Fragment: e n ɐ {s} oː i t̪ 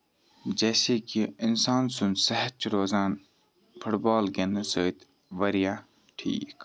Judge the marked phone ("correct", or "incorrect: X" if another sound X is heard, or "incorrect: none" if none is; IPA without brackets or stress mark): correct